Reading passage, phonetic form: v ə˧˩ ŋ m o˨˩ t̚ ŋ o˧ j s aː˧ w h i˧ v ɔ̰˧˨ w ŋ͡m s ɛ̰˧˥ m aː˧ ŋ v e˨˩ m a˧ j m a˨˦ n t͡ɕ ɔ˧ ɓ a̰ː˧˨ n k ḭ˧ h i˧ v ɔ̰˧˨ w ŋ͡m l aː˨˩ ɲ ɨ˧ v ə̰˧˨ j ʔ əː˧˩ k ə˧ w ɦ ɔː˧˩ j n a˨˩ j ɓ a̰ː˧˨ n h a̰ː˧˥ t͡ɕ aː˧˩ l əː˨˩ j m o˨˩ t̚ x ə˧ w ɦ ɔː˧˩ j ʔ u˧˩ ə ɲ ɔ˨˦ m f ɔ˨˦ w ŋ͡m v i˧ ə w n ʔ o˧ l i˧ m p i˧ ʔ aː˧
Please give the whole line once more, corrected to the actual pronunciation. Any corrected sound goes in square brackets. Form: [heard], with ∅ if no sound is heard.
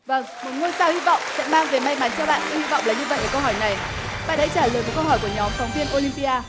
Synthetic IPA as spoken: v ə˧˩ ŋ m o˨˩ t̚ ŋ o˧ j s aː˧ w h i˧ v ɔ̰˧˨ w ŋ͡m s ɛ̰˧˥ m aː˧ ŋ v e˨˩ m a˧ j m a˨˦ n t͡ɕ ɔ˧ ɓ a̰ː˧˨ n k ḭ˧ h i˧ v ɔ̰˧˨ w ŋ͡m l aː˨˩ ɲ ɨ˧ v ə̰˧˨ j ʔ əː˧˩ k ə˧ w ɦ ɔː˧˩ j n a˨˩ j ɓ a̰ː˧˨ n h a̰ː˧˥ t͡ɕ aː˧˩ l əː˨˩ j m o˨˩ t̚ [k] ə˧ w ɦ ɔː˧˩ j [k] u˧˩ ə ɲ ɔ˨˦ m f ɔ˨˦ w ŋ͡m v i˧ ə [∅] n ʔ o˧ l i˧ m p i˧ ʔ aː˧